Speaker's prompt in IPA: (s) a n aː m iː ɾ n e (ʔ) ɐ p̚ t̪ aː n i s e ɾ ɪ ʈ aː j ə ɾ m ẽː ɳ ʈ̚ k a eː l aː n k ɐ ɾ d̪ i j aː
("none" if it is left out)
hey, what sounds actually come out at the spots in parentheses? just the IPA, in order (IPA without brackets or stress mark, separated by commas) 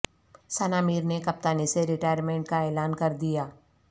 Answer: s, k